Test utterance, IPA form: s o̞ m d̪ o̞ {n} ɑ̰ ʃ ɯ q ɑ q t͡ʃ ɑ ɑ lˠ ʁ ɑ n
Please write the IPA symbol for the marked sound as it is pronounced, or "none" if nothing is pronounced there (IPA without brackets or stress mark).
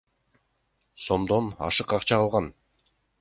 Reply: n